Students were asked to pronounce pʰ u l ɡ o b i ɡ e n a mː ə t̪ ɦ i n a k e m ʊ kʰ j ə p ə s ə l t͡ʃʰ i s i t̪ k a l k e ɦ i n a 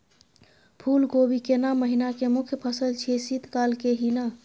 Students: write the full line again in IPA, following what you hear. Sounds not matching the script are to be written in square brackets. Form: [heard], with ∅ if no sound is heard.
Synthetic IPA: pʰ u l ɡ o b i [k] e n a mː ə [∅] ɦ i n a k e m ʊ kʰ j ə [pʰ] ə s ə l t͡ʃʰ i s i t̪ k a l k e ɦ i n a